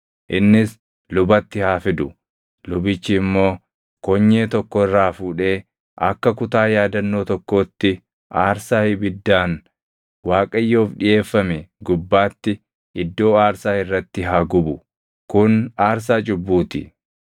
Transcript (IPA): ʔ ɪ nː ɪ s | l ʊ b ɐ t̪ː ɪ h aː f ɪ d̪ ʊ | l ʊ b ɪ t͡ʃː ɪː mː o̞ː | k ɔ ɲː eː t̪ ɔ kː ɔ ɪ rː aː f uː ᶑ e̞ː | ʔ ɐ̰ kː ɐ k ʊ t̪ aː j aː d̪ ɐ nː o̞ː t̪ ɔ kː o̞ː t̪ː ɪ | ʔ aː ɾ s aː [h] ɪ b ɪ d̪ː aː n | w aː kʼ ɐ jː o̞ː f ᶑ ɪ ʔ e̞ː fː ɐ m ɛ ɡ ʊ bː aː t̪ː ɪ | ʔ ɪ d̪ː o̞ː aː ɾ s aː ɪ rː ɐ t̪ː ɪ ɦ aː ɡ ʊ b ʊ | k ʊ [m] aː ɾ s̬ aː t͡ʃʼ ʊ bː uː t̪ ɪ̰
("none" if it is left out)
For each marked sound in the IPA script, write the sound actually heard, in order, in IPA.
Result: h, n

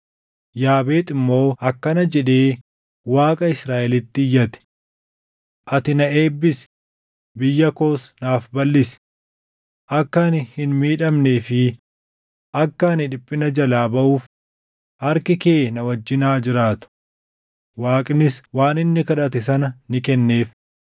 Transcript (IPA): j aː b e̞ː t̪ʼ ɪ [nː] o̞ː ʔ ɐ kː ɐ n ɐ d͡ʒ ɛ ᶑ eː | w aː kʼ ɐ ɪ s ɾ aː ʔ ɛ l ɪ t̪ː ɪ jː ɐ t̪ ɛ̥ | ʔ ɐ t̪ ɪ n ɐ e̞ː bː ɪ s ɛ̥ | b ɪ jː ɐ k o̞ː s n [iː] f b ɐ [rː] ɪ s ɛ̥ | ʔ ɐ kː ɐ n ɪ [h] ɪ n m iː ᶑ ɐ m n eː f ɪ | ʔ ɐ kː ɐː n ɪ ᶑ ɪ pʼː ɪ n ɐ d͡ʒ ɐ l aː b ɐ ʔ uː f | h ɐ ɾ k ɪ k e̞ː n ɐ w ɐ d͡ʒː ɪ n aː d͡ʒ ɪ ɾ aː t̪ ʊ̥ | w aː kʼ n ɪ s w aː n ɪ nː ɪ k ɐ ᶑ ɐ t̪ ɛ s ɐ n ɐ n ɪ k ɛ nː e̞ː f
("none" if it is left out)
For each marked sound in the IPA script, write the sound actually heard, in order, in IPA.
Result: mː, aː, lː, h

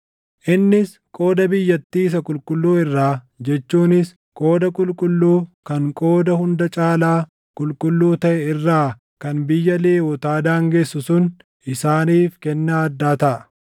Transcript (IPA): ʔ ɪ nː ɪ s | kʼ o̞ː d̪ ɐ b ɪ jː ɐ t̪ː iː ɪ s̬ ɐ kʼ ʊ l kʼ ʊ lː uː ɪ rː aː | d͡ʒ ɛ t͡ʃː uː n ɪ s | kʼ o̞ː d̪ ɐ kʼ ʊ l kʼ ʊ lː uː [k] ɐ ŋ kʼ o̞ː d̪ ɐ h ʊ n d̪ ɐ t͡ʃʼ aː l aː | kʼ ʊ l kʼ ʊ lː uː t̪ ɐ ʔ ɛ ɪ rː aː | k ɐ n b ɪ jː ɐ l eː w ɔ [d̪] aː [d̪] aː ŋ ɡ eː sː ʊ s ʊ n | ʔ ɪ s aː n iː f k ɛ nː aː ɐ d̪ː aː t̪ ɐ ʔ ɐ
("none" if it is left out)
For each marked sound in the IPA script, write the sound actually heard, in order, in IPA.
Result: k, t̪, d̪

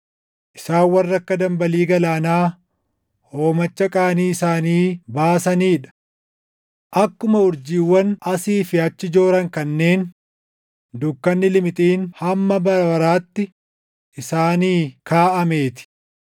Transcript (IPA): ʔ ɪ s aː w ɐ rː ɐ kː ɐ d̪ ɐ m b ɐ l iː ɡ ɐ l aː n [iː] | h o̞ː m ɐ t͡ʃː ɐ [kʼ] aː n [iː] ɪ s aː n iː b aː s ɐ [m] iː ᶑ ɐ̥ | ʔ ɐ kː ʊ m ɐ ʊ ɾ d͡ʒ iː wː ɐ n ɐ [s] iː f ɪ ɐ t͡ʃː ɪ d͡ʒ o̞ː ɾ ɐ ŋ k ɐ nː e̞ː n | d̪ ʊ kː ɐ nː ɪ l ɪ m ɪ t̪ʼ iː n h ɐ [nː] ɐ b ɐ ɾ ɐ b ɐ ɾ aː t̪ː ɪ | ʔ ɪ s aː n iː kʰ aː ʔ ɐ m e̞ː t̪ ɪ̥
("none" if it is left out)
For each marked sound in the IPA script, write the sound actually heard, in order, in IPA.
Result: aː, kʼ, iː, n, s, mː

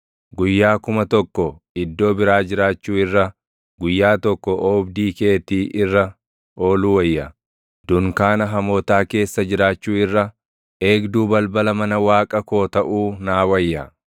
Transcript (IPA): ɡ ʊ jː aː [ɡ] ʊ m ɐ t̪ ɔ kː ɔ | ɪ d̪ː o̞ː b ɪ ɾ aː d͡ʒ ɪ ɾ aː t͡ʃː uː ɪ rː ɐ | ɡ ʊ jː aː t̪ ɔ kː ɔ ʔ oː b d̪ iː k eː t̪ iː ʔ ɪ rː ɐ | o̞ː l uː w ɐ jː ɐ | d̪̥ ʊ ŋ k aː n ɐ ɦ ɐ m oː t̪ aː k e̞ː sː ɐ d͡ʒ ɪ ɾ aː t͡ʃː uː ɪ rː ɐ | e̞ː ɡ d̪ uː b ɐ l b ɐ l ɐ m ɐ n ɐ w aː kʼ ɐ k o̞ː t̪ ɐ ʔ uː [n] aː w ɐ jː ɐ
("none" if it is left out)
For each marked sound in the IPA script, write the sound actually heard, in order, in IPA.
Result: k, n

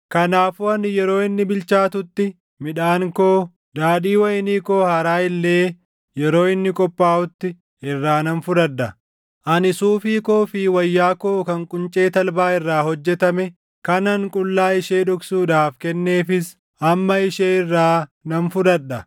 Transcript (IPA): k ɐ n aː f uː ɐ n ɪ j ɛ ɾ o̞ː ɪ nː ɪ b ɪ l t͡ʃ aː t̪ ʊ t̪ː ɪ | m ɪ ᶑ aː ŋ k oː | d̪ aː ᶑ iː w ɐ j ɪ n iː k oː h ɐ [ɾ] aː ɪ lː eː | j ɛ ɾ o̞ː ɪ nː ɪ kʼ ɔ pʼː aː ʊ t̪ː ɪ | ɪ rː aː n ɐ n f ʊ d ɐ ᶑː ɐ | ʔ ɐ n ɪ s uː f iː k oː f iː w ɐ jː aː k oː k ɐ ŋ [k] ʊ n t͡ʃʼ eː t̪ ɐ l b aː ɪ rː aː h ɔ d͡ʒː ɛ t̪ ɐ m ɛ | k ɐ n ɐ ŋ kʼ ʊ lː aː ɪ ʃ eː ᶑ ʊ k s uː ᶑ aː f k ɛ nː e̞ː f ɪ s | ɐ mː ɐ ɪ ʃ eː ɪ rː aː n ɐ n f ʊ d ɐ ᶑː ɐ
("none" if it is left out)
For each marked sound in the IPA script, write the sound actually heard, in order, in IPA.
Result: ɾ, kʼ

